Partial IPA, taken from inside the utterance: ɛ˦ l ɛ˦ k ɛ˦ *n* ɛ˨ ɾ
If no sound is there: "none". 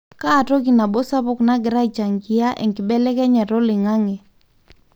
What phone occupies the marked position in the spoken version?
ɲ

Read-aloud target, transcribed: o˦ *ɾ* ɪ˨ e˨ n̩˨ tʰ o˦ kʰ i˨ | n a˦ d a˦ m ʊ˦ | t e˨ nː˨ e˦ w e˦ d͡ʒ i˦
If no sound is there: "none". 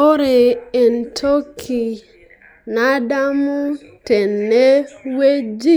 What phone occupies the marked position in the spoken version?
ɾ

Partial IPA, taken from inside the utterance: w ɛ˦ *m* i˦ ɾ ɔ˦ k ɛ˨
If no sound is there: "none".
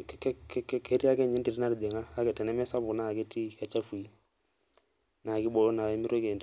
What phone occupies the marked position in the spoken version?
m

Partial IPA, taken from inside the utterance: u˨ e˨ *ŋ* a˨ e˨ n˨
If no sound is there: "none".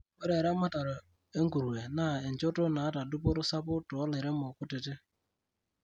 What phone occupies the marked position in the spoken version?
n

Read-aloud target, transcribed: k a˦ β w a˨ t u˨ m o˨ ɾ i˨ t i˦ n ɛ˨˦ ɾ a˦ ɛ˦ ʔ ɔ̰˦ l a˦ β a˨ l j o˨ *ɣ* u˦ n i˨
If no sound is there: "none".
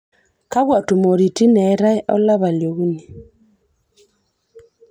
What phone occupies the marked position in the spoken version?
ɣ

